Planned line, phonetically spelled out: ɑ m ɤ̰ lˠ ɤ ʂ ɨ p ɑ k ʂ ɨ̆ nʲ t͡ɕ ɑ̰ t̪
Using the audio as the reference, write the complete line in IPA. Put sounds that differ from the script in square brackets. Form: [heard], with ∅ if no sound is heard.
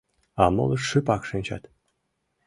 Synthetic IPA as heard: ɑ m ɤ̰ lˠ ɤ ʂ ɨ p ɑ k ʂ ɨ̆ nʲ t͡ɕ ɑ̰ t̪

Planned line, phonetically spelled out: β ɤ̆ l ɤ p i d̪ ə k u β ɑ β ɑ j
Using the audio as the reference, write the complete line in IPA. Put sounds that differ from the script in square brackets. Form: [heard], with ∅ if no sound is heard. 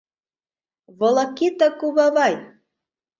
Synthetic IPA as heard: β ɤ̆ l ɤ [k] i [t̪] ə k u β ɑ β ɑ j

